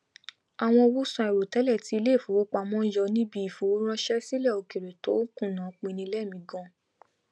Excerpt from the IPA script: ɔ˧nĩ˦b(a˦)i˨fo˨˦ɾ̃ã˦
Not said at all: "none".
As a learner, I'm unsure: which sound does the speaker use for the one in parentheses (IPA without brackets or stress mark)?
i˦